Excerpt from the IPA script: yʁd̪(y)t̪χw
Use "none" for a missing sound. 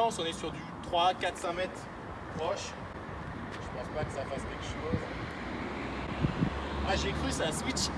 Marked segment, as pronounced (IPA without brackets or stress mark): y